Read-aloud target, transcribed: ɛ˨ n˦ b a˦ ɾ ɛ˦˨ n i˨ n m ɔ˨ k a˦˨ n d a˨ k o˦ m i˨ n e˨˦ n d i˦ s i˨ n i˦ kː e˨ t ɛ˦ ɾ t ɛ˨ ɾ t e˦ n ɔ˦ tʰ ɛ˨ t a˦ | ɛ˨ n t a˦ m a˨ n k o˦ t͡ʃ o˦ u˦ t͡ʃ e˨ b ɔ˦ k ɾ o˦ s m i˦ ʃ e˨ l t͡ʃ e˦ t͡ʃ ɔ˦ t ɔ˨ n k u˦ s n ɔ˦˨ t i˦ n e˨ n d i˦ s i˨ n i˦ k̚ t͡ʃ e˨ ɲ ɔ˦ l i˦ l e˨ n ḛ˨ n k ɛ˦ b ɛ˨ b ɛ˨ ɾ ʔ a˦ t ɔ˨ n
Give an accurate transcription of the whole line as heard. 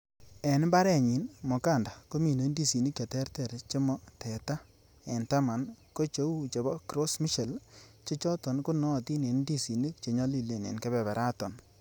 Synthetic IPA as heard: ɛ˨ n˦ b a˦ ɾ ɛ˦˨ ɲ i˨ n m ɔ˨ k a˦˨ n d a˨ k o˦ m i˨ n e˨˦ n d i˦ s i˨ n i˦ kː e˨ t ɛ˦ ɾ t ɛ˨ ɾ t͡ʃ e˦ m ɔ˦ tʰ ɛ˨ t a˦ | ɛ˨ n t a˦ m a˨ n k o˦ t͡ʃ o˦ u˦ t͡ʃ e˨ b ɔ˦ k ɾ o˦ s m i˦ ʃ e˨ l t͡ʃ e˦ t͡ʃ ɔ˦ t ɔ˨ n k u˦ n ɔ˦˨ t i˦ n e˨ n d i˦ s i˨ n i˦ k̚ t͡ʃ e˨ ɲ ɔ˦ l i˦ l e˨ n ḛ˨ n k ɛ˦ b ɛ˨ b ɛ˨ ɾ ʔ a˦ t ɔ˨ n